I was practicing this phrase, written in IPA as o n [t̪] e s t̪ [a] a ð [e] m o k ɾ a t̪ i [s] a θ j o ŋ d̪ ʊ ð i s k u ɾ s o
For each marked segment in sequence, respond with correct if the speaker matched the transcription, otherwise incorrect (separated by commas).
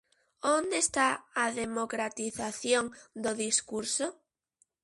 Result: incorrect, correct, correct, incorrect